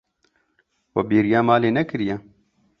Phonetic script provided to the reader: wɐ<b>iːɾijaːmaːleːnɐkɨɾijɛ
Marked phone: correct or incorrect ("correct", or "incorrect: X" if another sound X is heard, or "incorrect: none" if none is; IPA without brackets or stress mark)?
correct